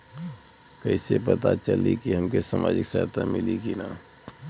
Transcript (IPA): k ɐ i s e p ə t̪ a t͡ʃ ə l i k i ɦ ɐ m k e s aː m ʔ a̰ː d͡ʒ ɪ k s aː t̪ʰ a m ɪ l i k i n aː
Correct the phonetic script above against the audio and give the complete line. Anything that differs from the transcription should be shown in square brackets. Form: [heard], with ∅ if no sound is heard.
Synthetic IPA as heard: k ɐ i s e p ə t̪ a t͡ʃ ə l i k i ɦ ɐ m k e s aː m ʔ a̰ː d͡ʒ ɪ k s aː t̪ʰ a m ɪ l i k i n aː